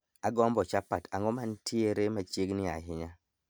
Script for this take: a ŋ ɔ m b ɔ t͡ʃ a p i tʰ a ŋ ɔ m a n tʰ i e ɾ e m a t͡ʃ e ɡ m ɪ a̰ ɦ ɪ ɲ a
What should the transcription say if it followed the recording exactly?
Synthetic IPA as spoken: a ɡ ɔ m b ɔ t͡ʃ a p a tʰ a ŋ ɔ m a n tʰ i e ɾ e m a t͡ʃ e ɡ n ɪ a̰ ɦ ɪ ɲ a